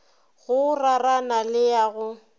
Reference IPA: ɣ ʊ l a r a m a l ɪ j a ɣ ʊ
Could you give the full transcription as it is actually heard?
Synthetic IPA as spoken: ɣ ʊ r a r a n a l ɪ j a ɣ ʊ